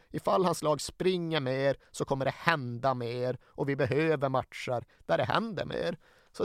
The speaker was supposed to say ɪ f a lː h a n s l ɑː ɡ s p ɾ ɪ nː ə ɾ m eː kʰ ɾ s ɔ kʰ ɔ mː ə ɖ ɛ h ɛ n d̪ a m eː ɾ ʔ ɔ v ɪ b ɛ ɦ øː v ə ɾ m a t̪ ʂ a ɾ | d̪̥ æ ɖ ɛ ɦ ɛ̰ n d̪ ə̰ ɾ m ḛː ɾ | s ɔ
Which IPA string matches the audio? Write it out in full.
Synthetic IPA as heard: ɪ f a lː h a n s l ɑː ɡ s p ɾ ɪ ŋː ə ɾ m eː ɾ s ɔ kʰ ɔ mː ə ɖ ɛ h ɛ n d̪ a m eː ɾ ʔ ɔ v ɪ b ɛ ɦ øː v ə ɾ m a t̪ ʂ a ɾ | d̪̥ æ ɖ ɛ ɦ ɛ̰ n d̪ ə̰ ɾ m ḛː ɾ | s ɔ